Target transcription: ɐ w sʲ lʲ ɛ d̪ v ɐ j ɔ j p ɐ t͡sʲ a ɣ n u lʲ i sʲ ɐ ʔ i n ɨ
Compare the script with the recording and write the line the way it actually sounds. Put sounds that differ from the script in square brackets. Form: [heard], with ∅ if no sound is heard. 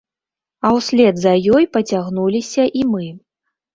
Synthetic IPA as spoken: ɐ w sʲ lʲ ɛ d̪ [z] ɐ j ɔ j p ɐ t͡sʲ a ɣ n u lʲ i sʲ ɐ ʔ i [m] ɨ